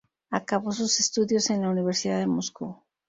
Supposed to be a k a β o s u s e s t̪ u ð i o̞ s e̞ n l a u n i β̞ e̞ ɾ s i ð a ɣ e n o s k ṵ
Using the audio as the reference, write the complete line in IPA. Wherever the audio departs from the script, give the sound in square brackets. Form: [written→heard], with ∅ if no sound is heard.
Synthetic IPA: a k a β o s u s e s t̪ u ð [i→j] o̞ s e̞ n l a u n i β̞ e̞ ɾ s i ð a [ɣ→ð] e [n→m] o s k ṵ